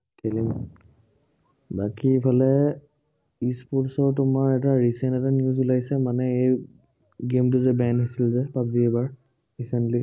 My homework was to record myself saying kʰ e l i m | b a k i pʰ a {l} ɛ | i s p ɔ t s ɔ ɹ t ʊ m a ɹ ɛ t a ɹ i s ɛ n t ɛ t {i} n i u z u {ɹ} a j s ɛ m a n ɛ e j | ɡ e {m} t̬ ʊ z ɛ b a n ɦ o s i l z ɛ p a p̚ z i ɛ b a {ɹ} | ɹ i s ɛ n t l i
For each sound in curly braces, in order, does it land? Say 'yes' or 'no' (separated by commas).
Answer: yes, no, no, yes, yes